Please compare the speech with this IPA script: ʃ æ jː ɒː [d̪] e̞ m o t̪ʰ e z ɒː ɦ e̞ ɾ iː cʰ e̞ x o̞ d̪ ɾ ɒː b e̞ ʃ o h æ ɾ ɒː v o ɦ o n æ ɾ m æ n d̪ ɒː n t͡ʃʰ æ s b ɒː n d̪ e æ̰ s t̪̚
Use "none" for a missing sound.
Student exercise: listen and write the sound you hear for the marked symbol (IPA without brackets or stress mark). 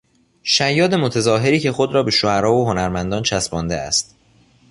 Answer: d̪